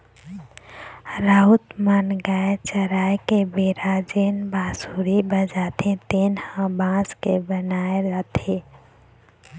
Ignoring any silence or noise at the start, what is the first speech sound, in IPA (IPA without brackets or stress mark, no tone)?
ɾ